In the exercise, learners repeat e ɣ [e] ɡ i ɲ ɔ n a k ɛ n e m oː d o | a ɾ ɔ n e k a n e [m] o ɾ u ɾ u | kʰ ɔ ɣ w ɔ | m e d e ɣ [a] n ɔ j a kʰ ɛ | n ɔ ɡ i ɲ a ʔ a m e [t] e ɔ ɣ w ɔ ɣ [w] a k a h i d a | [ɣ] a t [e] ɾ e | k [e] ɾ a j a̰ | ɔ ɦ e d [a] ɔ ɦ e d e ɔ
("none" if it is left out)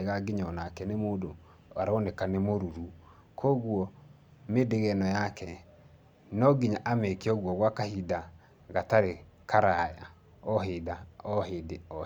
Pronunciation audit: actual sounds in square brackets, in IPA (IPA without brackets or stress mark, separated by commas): a, m, ɛ, k, w, ɣ, a, a, a